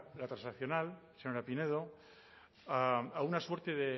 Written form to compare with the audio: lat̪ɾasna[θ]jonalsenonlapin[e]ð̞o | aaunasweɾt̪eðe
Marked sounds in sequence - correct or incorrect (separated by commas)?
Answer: correct, correct